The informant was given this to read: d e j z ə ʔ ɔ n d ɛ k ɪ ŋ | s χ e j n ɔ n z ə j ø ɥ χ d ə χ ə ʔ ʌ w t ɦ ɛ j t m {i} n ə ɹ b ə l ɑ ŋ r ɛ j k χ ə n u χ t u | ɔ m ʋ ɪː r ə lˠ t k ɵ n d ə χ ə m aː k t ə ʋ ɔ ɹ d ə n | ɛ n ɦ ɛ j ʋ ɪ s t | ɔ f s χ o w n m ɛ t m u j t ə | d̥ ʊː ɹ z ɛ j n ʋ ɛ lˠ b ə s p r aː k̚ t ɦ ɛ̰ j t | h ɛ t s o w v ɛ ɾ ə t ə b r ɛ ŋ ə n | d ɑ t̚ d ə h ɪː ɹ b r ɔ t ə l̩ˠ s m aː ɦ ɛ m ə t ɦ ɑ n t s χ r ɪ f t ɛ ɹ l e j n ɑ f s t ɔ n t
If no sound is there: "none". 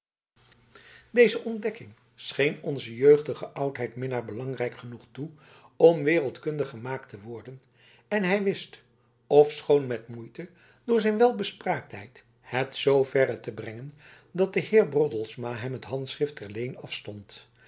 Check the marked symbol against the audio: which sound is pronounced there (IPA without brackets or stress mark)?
ɪ